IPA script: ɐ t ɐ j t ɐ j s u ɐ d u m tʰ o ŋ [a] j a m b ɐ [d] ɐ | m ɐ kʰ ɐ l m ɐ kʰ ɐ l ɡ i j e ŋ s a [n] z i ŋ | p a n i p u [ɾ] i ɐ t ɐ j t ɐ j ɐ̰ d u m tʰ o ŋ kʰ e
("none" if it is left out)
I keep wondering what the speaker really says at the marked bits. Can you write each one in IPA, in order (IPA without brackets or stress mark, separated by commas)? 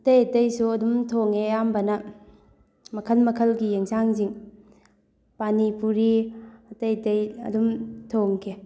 e, n, ŋ, ɾ